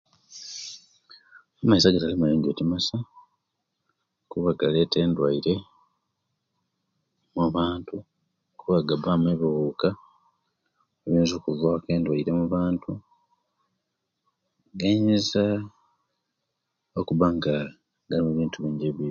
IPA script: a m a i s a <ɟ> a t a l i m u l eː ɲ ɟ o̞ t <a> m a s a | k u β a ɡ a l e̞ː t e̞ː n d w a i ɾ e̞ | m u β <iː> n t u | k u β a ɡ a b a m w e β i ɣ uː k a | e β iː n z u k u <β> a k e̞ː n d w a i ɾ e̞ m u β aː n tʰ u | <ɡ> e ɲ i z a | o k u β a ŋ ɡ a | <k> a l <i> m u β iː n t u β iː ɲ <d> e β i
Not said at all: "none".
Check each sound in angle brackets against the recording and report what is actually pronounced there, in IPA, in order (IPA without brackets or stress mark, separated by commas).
ɡ, i, aː, v, ɡ, ɡ, i, ɟ